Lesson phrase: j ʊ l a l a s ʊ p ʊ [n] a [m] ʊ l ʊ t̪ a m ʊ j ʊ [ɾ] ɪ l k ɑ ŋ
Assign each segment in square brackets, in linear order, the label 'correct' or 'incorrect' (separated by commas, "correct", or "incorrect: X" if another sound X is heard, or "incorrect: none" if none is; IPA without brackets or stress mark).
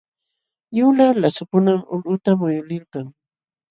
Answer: correct, correct, incorrect: l